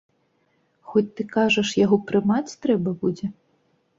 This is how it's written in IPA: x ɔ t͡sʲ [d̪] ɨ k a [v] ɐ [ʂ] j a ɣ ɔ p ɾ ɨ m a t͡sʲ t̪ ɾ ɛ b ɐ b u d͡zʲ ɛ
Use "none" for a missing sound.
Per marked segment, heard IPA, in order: t̪, ʐ, ʂ

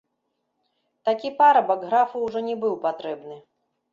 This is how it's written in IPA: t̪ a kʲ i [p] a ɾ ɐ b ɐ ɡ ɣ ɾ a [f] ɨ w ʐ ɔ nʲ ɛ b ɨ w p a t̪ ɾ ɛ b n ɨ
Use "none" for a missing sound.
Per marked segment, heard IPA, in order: p, f

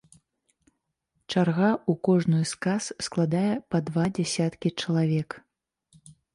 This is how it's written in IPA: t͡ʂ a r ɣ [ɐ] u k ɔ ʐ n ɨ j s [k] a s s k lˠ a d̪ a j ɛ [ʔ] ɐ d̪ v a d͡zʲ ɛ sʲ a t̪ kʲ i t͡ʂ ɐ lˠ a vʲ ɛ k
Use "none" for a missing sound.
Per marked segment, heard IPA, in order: a, k, p

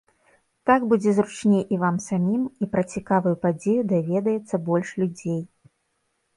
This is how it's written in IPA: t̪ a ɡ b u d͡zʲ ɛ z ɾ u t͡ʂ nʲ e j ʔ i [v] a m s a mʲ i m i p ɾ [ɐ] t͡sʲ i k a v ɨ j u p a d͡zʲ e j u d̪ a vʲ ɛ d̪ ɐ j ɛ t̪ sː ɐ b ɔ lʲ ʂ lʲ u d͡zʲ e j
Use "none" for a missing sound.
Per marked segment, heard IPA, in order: v, ɐ

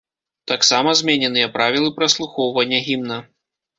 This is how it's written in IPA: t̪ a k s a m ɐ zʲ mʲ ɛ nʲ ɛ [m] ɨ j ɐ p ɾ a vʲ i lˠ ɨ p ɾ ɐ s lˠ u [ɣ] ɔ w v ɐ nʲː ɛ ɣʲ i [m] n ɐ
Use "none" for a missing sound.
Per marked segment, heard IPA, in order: n, x, m

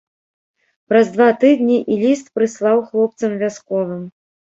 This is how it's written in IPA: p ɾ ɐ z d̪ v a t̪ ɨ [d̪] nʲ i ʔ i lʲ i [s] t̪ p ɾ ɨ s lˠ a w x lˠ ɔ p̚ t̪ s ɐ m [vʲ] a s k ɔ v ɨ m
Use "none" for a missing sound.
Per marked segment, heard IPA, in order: d̪, s, vʲ

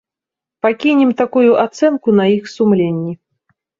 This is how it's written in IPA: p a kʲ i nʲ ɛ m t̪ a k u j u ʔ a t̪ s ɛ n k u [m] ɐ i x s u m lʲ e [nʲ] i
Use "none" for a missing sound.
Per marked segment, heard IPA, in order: n, nʲː

